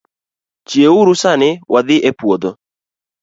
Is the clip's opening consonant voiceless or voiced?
voiceless